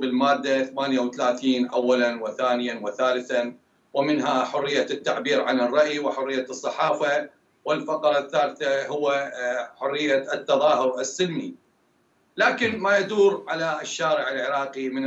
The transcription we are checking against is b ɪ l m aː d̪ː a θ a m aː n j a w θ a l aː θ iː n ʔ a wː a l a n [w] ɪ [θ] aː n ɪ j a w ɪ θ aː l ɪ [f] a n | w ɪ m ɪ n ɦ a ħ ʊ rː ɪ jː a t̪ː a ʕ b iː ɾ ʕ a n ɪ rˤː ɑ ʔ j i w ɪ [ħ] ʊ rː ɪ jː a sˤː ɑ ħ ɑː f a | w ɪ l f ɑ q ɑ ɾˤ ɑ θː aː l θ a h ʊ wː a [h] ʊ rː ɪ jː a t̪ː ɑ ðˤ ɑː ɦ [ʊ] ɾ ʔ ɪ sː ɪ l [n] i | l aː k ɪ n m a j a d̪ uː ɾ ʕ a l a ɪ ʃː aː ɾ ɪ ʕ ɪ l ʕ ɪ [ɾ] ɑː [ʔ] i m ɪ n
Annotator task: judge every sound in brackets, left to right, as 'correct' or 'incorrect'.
correct, correct, incorrect: θ, correct, incorrect: ħ, correct, incorrect: m, correct, incorrect: q

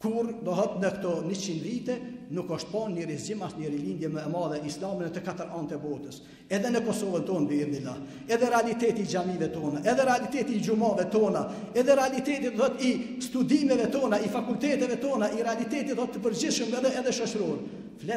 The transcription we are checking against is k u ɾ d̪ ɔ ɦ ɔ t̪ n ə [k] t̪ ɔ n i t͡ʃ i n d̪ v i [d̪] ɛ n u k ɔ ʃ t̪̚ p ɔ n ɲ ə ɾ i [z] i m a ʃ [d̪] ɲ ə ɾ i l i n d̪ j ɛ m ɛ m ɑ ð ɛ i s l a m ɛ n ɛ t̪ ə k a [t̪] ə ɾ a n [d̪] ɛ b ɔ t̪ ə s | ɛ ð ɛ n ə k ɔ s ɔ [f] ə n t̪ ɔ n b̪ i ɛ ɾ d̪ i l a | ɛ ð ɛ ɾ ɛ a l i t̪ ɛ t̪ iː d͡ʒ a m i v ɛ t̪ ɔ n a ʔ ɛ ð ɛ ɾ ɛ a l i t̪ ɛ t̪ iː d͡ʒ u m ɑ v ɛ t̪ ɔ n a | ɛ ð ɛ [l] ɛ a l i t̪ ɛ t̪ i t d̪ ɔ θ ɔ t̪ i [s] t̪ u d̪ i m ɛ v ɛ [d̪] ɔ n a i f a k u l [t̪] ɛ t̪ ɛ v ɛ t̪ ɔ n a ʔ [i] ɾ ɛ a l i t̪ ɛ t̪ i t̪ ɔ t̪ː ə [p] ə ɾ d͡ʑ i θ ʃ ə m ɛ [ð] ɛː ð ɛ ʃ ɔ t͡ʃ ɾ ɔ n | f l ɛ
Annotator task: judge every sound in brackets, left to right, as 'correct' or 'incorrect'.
correct, incorrect: t̪, correct, incorrect: t̪, correct, incorrect: t̪, incorrect: v, incorrect: ɾ, correct, incorrect: t̪, correct, correct, correct, correct

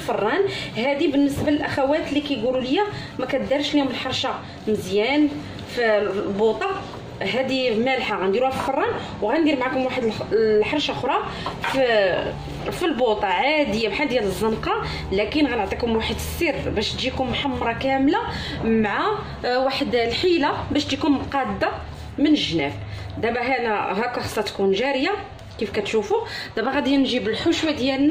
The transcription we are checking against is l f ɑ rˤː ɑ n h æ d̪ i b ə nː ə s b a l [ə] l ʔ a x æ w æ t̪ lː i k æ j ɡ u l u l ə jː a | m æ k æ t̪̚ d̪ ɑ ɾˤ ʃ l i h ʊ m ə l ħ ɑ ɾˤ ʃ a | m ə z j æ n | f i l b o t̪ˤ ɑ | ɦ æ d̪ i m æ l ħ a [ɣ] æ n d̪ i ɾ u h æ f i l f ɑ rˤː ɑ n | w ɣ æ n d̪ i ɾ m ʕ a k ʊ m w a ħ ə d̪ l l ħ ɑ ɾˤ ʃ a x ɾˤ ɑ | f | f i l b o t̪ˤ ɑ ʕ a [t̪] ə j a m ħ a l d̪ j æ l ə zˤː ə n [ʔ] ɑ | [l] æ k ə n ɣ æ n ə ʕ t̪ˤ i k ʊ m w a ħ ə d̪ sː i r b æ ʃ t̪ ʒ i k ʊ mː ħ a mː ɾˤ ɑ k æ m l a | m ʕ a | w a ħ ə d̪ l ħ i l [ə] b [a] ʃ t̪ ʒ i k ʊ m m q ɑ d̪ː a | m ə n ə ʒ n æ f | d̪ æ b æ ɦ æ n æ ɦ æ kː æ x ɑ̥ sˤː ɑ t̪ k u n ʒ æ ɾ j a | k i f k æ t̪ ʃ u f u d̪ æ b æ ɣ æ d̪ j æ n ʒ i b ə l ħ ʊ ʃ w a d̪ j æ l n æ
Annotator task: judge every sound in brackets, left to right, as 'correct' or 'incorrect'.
correct, correct, incorrect: d̪, incorrect: q, correct, incorrect: a, incorrect: æ

